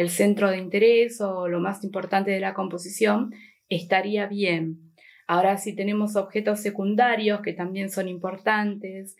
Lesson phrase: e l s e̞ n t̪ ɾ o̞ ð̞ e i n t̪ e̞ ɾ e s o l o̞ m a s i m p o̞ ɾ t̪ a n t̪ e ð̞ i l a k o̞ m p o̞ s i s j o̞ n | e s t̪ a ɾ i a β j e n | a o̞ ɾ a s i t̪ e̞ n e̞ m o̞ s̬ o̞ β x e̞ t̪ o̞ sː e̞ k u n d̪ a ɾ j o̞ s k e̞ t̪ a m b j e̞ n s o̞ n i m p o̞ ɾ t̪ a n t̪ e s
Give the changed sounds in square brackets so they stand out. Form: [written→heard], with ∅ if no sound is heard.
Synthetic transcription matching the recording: e l s e̞ n t̪ ɾ o̞ ð̞ e i n t̪ e̞ ɾ e s o l o̞ m a s i m p o̞ ɾ t̪ a n t̪ e ð̞ [i→e] l a k o̞ m p o̞ s i s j o̞ n | e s t̪ a ɾ i a β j e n | a o̞ ɾ a s i t̪ e̞ n e̞ m o̞ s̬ o̞ β x e̞ t̪ o̞ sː e̞ k u n d̪ a ɾ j o̞ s k e̞ t̪ a m b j e̞ n s o̞ n i m p o̞ ɾ t̪ a n t̪ e s